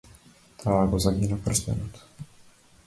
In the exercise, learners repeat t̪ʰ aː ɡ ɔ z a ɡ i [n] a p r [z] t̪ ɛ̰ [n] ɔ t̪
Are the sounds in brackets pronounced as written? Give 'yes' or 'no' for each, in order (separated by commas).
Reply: yes, no, yes